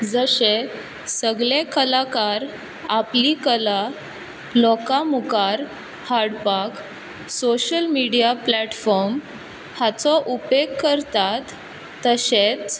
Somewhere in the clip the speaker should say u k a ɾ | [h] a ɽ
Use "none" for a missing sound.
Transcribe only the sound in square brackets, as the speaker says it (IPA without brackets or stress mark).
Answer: h